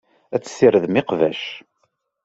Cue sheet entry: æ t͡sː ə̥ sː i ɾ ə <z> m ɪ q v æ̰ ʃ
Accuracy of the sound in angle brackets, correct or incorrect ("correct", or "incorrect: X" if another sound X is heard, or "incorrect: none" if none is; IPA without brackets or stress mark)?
incorrect: ð